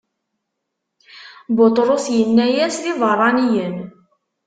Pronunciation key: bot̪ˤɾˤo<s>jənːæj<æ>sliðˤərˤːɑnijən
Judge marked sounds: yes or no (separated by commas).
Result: yes, yes